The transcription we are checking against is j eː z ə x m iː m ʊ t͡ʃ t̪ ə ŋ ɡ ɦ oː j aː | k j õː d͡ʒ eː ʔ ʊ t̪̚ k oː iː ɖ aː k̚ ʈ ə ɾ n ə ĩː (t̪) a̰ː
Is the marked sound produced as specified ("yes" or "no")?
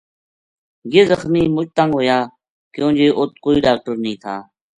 no